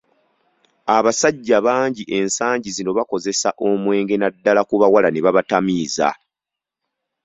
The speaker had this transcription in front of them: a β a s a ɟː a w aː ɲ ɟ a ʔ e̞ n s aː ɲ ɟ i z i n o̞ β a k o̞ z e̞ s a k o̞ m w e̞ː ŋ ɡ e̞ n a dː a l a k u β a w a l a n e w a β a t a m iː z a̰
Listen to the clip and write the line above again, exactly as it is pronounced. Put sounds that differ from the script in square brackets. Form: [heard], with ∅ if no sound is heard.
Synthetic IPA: a β a s a ɟː a [β] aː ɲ ɟ [i] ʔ e̞ n s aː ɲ ɟ i z i n o̞ β a k o̞ z e̞ s a [ʔ] o̞ m w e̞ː ŋ ɡ e̞ n a dː a l a k u β a w a l a n e [β] a β a t a m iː z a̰